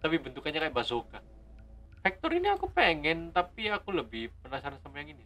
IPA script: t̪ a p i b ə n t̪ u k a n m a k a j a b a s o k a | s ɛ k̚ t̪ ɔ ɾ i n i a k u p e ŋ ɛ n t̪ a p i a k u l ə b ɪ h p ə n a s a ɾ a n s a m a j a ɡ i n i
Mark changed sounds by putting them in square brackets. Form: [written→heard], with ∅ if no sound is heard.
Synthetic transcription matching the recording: t̪ a p i b ə n t̪ u k a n [m→ɲ] a k a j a b a s o k a | [s→f] ɛ k̚ t̪ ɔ ɾ i n i a k u p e ŋ ɛ n t̪ a p i a k u l ə b ɪ h p ə n a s a ɾ a n s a m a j a [ɡ→ŋ] i n i

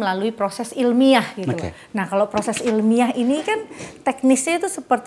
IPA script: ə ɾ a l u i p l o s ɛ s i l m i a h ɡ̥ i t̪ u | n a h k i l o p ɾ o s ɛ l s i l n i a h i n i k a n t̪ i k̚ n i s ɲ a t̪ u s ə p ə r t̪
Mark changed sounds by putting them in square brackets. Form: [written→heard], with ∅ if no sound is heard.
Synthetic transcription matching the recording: ə [ɾ→l] a l u i p [l→ɾ] o s ɛ s i l m i a h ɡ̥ i t̪ u | n a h k [i→a] l o p ɾ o s ɛ [l→∅] s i l [n→m] i a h i n i k a n t̪ [i→ɛ] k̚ n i s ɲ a t̪ u s ə p ə r t̪

